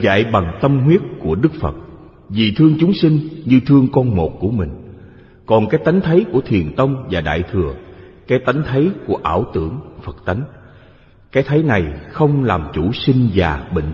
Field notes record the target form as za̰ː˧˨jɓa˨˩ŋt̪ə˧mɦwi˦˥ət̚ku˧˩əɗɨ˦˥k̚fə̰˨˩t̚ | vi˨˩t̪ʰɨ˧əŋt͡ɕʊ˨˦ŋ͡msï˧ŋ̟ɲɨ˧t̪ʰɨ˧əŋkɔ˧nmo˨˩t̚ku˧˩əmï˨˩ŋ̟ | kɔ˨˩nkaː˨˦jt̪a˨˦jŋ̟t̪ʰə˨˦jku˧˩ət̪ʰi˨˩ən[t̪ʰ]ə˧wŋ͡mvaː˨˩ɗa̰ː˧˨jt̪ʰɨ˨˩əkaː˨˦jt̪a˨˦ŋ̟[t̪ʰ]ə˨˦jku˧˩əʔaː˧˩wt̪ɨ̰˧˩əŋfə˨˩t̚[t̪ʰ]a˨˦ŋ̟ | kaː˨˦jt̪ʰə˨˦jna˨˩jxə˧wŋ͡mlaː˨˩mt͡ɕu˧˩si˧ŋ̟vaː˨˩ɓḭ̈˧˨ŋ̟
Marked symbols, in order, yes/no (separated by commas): no, yes, no